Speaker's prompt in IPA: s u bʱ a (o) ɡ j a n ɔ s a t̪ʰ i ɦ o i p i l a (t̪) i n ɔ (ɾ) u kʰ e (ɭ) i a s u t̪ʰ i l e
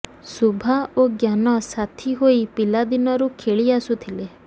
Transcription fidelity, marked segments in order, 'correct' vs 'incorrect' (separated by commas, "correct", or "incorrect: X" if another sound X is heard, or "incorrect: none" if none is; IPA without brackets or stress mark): correct, incorrect: d̪, correct, correct